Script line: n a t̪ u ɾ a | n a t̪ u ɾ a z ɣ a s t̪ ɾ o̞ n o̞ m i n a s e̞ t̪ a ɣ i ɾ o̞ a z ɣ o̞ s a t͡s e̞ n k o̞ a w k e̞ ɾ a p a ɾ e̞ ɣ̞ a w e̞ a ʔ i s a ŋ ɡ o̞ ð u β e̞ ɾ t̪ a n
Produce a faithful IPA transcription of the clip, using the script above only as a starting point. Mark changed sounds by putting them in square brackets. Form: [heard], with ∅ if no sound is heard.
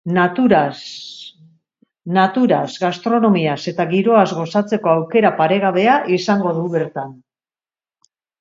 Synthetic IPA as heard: n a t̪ u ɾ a | n a t̪ u ɾ a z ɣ a s t̪ ɾ o̞ n o̞ m i [∅] a s e̞ t̪ a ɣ i ɾ o̞ a z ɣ o̞ s a t͡s e̞ [∅] k o̞ a w k e̞ ɾ a p a ɾ e̞ ɣ̞ a [β] e̞ a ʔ i s a ŋ ɡ o̞ ð u β e̞ ɾ t̪ a n

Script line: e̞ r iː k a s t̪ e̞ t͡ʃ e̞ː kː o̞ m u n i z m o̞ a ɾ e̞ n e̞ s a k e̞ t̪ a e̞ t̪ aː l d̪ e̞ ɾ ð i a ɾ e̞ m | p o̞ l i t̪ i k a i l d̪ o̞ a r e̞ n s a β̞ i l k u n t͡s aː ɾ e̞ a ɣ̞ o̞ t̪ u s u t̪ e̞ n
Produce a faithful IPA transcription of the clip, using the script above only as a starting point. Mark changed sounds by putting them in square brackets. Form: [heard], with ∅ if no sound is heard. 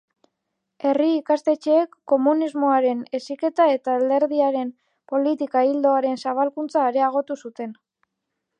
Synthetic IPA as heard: e̞ r iː k a s t̪ e̞ t͡ʃ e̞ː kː o̞ m u n i z m o̞ a ɾ e̞ n e̞ s [i] k e̞ t̪ a e̞ t̪ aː l d̪ e̞ ɾ ð i a ɾ e̞ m | p o̞ l i t̪ i k a i l d̪ o̞ a [ɾ] e̞ n s a β̞ [a] l k u n t͡s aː ɾ e̞ a ɣ̞ o̞ t̪ u s u t̪ e̞ n

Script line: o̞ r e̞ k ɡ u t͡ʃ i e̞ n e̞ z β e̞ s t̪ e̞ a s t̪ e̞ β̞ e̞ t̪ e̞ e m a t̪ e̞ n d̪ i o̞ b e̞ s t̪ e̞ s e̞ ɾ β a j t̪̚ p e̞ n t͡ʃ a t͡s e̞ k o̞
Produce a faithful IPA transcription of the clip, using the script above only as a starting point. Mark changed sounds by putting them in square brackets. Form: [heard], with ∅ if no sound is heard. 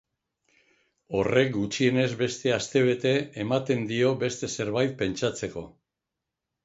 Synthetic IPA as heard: o̞ r e̞ k ɡ u t͡ʃ i e̞ n e̞ z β e̞ s t̪ e̞ a s t̪ e̞ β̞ e̞ t̪ e̞ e m a t̪ e̞ n d̪ i o̞ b e̞ s t̪ e̞ s e̞ ɾ β a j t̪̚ p e̞ n t͡ʃ a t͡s e̞ k o̞

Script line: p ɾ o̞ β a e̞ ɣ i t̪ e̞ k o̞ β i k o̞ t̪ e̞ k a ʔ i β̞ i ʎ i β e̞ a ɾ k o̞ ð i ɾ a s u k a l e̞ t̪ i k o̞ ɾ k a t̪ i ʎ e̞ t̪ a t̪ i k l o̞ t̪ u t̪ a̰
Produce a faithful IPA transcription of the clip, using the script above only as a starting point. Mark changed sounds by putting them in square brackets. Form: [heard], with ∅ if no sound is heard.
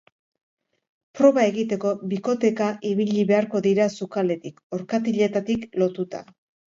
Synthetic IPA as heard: p ɾ o̞ β a e̞ ɣ i t̪ e̞ k o̞ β i k o̞ t̪ e̞ k a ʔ i β̞ i ʎ i β e̞ a ɾ k o̞ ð i ɾ a s u k a l e̞ t̪ i k o̞ ɾ k a t̪ i ʎ e̞ t̪ a t̪ i k l o̞ t̪ u t̪ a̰

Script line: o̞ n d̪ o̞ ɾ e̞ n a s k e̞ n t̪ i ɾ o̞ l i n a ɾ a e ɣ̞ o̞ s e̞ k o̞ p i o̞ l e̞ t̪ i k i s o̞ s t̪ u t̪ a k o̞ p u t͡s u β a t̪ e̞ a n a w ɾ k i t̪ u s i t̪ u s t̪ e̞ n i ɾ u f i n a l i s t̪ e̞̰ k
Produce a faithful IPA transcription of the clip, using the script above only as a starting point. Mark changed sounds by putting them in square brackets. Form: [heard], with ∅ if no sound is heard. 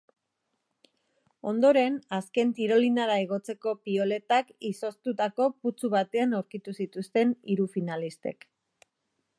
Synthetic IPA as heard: o̞ n d̪ o̞ ɾ e̞ n a s k e̞ n t̪ i ɾ o̞ l i n a ɾ a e ɣ̞ o̞ [t͡s] e̞ k o̞ p i o̞ l e̞ t̪ [a] k i s o̞ s t̪ u t̪ a k o̞ p u t͡s u β a t̪ e̞ a n a w ɾ k i t̪ u s i t̪ u s t̪ e̞ n i ɾ u f i n a l i s t̪ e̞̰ k

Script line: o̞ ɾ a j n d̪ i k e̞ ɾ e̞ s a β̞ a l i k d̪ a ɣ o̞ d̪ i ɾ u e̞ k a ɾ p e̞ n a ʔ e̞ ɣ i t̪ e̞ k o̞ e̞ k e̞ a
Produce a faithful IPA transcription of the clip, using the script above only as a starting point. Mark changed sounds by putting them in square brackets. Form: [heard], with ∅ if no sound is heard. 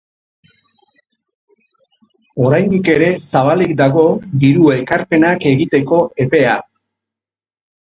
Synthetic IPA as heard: o̞ ɾ a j n d̪ i k e̞ ɾ e̞ s a β̞ a l i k d̪ a ɣ o̞ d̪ i ɾ u e̞ k a ɾ p e̞ n a [k] e̞ ɣ i t̪ e̞ k o̞ e̞ [p] e̞ a

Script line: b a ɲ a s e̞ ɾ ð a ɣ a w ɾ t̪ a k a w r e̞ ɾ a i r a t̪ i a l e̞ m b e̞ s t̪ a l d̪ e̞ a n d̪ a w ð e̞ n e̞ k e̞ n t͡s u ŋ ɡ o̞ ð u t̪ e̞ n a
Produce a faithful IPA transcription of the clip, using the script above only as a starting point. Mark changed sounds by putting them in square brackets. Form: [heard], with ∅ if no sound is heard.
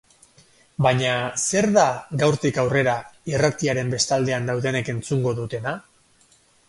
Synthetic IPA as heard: b a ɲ a s e̞ ɾ ð a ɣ a w ɾ t̪ [i] k a w r e̞ ɾ a i r a t̪ i a [ɾ] e̞ m b e̞ s t̪ a l d̪ e̞ a n d̪ a w ð e̞ n e̞ k e̞ n t͡s u ŋ ɡ o̞ ð u t̪ e̞ n a

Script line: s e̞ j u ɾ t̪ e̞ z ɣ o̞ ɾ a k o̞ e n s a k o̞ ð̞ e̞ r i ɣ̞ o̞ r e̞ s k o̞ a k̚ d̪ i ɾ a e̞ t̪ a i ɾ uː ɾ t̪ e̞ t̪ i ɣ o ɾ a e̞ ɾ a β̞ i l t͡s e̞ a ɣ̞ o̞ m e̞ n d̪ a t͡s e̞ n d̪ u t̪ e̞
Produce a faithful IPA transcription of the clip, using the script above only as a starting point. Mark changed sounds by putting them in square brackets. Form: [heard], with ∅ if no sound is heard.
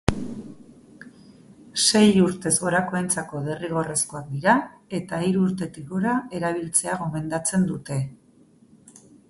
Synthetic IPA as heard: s e̞ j u ɾ t̪ e̞ z ɣ o̞ ɾ a k o̞ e n [t͡s] a k o̞ ð̞ e̞ r i ɣ̞ o̞ r e̞ s k o̞ a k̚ d̪ i ɾ a e̞ t̪ a i ɾ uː ɾ t̪ e̞ t̪ i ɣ o ɾ a e̞ ɾ a β̞ i l t͡s e̞ a ɣ̞ o̞ m e̞ n d̪ a t͡s e̞ n d̪ u t̪ e̞

